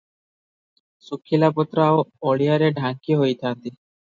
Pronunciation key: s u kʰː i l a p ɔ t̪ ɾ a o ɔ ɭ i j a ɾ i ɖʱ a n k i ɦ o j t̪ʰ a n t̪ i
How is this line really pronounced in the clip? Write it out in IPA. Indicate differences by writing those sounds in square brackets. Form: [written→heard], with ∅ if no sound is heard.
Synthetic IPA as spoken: s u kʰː i l a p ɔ t̪ ɾ a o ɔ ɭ i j a ɾ [i→e] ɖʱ a [n→ŋ] k i ɦ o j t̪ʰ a n t̪ i